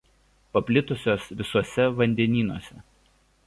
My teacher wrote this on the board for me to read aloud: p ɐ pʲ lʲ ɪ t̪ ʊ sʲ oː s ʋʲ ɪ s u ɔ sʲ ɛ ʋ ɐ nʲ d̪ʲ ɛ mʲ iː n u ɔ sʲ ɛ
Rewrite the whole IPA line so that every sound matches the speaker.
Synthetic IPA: p ɐ pʲ lʲ ɪ t̪ ʊ sʲ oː s ʋʲ ɪ s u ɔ sʲ ɛ ʋ ɐ nʲ d̪ʲ ɛ nʲ iː n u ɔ sʲ ɛ